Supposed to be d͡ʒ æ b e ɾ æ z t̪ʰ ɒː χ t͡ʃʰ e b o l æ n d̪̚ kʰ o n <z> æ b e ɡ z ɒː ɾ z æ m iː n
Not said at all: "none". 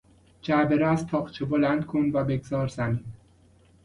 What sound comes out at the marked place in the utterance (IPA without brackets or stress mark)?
v